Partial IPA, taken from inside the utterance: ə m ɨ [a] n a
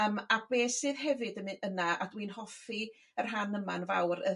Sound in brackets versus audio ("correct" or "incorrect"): incorrect